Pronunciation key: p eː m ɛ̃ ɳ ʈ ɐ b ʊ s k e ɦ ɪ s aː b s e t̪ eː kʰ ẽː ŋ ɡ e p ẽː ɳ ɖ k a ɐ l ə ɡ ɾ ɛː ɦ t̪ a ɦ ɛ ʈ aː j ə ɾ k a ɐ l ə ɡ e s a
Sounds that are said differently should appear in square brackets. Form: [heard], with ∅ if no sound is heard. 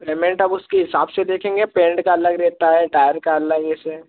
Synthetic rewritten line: p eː m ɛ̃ ɳ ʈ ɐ b ʊ s k e ɦ ɪ s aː b s e [d̪] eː kʰ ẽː ŋ ɡ e p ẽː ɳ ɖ k a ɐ l ə ɡ ɾ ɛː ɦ t̪ a ɦ ɛ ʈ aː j ə ɾ k a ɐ l ə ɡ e s [e]